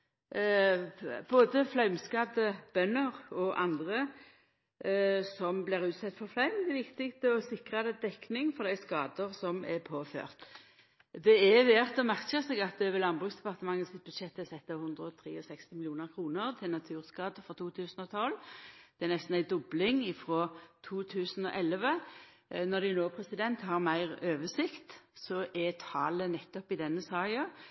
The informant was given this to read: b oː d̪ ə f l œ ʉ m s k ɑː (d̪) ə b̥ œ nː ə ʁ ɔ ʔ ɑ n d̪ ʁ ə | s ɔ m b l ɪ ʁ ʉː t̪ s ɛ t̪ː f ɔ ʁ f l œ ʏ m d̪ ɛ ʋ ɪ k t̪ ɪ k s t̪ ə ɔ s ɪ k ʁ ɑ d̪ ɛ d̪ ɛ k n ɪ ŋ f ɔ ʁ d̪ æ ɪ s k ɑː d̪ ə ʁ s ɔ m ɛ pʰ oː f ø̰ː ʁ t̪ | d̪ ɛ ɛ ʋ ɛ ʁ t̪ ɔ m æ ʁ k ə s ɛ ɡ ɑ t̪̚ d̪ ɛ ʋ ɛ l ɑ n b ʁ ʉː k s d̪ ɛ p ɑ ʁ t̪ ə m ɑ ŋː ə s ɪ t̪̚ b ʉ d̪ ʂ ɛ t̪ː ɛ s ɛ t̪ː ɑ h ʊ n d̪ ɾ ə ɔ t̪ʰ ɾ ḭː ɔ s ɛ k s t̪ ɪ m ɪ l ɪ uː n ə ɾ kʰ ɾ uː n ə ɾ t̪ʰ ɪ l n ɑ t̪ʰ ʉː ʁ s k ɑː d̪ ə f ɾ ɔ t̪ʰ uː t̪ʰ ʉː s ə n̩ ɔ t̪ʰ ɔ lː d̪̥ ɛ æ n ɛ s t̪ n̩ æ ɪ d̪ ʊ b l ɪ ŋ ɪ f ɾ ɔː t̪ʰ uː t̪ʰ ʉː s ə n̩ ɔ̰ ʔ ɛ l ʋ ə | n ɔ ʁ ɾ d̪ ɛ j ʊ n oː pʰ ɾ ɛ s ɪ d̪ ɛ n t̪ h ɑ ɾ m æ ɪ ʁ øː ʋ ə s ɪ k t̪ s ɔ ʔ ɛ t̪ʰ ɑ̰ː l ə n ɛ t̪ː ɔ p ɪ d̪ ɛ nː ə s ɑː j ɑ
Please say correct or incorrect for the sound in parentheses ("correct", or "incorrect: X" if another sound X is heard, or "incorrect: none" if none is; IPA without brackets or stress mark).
correct